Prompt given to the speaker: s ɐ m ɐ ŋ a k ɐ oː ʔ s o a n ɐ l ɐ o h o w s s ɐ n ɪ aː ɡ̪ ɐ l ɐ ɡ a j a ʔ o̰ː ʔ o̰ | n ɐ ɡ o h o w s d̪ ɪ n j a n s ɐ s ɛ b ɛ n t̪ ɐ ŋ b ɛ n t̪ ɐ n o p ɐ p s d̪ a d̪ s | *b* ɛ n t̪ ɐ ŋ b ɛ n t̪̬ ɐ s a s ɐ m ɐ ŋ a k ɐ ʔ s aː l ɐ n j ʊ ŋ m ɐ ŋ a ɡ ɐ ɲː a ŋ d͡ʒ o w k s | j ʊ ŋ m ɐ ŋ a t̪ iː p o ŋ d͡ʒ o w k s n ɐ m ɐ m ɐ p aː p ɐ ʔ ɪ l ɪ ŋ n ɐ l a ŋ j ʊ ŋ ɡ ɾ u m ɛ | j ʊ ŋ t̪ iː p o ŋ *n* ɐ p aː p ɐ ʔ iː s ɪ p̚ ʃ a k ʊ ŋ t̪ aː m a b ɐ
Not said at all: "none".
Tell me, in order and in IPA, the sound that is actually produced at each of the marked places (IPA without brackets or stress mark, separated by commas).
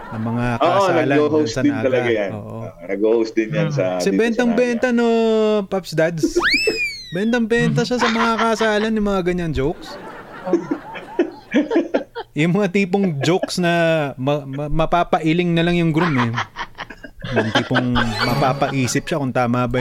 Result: b, m